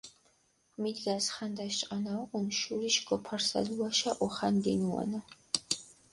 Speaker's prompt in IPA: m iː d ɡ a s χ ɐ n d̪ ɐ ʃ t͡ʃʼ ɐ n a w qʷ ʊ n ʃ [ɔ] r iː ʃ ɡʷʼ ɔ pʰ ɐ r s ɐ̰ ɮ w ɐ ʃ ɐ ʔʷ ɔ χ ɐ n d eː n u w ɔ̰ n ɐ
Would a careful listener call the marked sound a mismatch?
yes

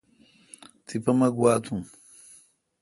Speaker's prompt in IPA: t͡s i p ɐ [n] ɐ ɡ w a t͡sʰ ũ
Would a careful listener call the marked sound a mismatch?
yes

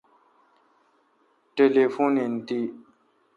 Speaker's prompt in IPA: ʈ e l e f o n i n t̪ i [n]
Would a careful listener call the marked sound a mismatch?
yes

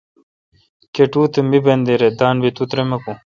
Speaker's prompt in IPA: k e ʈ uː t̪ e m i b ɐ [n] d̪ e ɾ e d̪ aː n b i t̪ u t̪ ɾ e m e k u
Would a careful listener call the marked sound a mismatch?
no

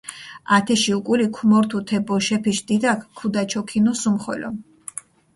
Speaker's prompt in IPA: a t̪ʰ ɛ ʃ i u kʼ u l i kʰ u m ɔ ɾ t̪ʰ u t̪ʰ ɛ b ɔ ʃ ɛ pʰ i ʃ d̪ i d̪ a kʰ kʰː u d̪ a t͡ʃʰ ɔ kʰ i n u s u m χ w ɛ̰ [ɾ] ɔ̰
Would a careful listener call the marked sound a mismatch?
yes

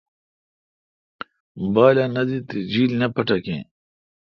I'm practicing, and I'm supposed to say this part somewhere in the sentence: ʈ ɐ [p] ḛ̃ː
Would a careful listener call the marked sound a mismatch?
yes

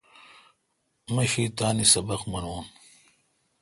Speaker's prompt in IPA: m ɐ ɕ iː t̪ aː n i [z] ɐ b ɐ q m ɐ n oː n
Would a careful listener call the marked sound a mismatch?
yes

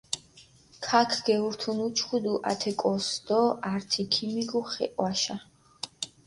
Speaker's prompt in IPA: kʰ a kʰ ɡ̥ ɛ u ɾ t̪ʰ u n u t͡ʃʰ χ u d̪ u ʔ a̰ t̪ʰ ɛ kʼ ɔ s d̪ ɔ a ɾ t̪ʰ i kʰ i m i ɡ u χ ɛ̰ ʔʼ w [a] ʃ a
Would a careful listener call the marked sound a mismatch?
no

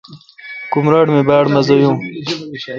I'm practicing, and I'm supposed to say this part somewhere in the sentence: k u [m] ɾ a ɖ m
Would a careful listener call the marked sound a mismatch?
no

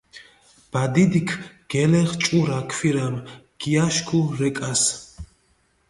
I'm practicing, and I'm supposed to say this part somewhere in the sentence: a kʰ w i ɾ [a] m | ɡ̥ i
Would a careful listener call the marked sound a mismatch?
no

